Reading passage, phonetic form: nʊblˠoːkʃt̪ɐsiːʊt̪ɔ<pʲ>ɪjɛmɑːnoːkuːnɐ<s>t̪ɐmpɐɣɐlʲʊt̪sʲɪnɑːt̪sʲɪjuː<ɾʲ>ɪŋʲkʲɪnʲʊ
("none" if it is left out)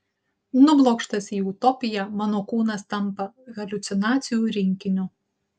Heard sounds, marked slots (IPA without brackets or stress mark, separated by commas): pʲ, s, ɾʲ